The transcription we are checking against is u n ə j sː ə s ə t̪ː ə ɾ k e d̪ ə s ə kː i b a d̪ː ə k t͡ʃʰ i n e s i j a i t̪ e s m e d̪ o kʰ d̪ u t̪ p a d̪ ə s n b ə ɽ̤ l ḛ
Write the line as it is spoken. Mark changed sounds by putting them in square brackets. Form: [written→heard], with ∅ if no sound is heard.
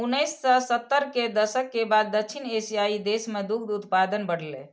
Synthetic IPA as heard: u n ə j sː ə s ə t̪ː ə ɾ k e d̪ ə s ə kː [i→e] b a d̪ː ə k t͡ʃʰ i n e s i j a i [t̪→d̪] e s m e d̪ [o→u] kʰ d̪ u t̪ p a d̪ ə [s→∅] n b ə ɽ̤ l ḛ